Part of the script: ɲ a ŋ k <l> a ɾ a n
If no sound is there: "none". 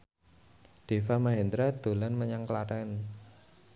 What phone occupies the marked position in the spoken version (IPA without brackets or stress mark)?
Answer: l